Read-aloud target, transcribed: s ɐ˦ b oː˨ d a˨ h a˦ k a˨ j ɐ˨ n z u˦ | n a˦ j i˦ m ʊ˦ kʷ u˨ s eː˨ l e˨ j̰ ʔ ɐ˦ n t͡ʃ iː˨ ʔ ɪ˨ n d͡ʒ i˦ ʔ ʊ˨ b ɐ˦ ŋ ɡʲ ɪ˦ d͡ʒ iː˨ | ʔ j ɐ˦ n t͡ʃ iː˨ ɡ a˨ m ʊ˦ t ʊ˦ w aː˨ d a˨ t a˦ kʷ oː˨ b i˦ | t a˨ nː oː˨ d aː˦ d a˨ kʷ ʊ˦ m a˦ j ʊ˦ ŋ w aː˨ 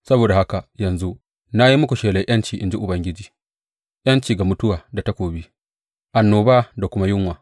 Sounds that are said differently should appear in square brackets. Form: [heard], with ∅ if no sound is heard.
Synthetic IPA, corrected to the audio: s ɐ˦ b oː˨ d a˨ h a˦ k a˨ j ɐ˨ n z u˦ | n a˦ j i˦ m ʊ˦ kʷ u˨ [ʃ] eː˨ l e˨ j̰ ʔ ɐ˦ n t͡ʃ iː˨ ʔ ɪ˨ n d͡ʒ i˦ ʔ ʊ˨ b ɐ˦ ŋ ɡʲ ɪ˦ d͡ʒ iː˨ | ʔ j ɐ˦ n t͡ʃ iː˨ ɡ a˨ m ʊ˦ t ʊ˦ w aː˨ d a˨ t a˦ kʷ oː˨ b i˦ | [ʔ] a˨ nː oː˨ [b] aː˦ d a˨ kʷ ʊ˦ m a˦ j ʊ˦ ŋ w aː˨